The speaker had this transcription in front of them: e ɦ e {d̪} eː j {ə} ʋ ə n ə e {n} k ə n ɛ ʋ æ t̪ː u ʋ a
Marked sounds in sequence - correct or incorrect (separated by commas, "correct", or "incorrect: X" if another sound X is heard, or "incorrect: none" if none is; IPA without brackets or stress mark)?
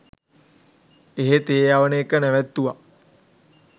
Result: incorrect: t̪, incorrect: a, incorrect: none